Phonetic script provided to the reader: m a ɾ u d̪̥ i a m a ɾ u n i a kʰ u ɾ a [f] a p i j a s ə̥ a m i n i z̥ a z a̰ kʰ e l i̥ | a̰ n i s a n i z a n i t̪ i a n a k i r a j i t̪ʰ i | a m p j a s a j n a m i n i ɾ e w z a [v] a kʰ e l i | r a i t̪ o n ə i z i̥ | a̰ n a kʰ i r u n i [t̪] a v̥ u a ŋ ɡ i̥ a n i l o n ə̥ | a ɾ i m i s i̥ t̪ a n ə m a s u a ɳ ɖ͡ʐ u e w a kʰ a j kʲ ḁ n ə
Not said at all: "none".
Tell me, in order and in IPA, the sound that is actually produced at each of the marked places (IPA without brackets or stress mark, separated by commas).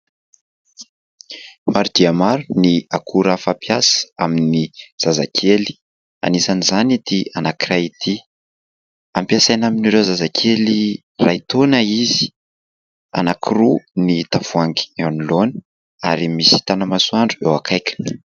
f, z, t̪